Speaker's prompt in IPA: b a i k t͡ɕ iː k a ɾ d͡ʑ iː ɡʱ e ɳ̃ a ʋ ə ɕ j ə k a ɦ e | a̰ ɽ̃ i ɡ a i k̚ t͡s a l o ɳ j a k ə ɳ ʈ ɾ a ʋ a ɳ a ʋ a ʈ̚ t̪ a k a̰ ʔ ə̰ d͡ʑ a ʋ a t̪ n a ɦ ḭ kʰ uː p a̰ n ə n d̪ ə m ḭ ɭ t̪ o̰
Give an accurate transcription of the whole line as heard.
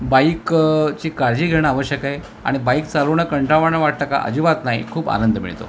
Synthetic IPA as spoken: b a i k t͡ɕ iː k a ɾ d͡ʑ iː ɡʱ e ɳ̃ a ʋ ə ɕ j ə k a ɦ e | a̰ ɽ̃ i b a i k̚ t͡s a l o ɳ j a k ə ɳ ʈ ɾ a ʋ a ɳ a ʋ a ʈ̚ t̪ a k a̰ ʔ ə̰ d͡ʑ i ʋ a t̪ n a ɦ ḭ kʰ uː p a̰ n ə n d̪ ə m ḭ ɭ t̪ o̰